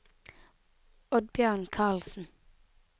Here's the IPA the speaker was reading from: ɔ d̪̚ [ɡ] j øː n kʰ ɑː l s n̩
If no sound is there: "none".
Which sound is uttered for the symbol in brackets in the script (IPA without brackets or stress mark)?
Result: b